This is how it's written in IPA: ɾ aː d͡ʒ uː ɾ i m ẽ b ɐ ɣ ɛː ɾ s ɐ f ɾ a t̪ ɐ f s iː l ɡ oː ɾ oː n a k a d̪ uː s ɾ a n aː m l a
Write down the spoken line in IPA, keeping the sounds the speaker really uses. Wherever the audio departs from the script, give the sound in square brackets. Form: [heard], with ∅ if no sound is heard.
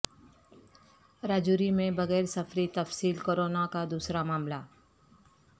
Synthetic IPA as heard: ɾ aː d͡ʒ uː ɾ i m ẽ b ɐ ɣ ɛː ɾ s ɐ f ɾ [i] t̪ ɐ f s iː l [k] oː ɾ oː n a k a d̪ uː s ɾ a [m] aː m l a

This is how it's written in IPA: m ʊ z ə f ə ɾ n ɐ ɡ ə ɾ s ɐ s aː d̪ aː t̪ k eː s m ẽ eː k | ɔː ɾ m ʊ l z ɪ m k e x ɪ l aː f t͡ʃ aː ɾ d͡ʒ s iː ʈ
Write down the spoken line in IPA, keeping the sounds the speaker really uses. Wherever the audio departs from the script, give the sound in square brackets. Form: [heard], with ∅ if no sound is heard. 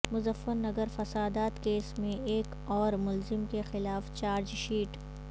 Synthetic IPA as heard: m ʊ z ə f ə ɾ n ɐ ɡ ə ɾ [f] ɐ s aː d̪ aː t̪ k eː s m ẽ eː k | ɔː ɾ m ʊ l z ɪ m k e x ɪ l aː f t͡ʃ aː ɾ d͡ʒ [ʃ] iː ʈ

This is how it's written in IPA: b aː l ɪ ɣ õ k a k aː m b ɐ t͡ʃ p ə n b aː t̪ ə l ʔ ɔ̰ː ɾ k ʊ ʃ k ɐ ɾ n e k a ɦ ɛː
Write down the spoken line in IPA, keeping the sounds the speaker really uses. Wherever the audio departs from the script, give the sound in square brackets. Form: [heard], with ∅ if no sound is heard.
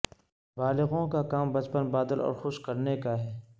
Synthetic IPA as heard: b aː l ɪ ɣ õ k a k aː m b ɐ t͡ʃ p ə n b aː [d̪] ə l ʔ ɔ̰ː ɾ [x] ʊ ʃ k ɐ ɾ n e k a ɦ ɛː

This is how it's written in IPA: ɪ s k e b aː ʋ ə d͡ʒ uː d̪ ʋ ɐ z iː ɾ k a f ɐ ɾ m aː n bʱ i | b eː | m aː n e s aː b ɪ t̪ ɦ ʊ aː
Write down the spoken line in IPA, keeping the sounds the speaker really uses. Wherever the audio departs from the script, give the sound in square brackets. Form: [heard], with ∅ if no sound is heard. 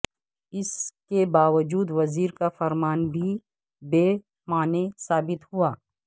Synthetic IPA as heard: ɪ s k e b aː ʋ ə d͡ʒ uː d̪ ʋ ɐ z iː ɾ k a f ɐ ɾ m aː n bʱ i | b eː | m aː n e s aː b ɪ t̪ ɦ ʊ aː

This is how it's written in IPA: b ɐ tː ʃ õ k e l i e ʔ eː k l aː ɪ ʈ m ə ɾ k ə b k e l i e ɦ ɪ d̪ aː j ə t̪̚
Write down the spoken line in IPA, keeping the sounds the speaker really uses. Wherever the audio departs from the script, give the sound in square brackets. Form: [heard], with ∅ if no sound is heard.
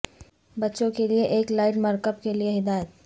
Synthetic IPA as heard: b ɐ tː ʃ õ k e l i e ʔ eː k l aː ɪ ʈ m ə ɾ k ə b k e l i e ɦ ɪ d̪ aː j ə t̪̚

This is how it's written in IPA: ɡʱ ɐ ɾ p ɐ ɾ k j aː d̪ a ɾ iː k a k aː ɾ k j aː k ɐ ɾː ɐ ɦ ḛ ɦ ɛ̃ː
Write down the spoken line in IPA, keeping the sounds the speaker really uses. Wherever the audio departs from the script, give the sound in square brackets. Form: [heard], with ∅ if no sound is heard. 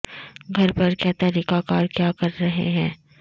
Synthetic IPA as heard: ɡʱ ɐ ɾ p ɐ ɾ k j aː [t̪] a ɾ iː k a k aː ɾ k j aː k ɐ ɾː ɐ ɦ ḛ ɦ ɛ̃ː

